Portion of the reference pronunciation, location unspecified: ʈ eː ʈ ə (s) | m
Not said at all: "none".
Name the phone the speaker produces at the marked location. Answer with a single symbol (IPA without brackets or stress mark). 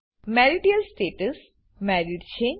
s